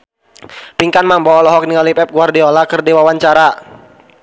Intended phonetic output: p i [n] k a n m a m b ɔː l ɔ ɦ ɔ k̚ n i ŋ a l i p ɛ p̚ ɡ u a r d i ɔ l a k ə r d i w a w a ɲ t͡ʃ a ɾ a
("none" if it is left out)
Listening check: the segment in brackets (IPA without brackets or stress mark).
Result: ŋ